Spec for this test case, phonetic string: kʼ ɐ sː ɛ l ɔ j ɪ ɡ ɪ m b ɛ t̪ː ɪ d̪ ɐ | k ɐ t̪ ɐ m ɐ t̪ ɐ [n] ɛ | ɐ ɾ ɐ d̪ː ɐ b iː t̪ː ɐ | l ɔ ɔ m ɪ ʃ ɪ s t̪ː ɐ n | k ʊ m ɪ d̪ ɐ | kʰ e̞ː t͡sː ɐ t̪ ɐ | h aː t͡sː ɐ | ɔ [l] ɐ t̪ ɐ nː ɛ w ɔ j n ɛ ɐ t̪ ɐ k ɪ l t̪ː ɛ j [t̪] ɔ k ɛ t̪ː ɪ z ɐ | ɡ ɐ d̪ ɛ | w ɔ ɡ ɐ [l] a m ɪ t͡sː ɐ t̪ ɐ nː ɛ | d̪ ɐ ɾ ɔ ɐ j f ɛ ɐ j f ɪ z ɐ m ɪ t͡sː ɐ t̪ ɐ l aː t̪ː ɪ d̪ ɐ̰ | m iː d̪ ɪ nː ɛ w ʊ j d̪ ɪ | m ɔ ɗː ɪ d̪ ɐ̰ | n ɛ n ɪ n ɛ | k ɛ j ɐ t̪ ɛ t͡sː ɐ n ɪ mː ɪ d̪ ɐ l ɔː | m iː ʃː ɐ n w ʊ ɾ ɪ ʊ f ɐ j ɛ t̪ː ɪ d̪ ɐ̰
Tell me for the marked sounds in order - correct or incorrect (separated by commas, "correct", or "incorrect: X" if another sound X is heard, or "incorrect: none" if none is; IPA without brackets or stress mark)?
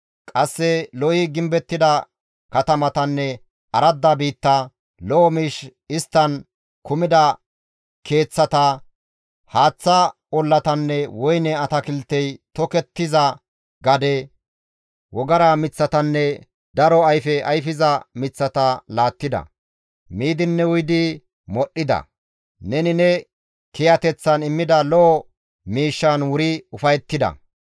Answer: incorrect: nː, incorrect: lː, correct, incorrect: ɾ